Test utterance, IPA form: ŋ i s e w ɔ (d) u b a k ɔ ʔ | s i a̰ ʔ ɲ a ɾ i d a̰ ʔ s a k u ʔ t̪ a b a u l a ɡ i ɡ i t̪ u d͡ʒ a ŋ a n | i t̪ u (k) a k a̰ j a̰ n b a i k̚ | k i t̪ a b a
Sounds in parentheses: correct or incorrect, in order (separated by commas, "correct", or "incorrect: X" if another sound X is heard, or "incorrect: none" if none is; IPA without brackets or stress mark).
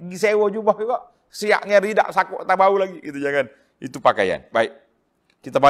incorrect: d͡ʒ, incorrect: p